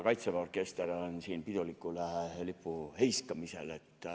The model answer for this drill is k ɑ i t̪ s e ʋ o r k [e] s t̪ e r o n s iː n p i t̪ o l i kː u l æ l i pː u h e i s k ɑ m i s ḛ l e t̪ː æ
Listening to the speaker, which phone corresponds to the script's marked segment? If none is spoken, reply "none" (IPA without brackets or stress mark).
e